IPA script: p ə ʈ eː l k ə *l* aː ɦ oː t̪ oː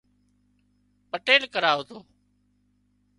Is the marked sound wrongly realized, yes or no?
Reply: yes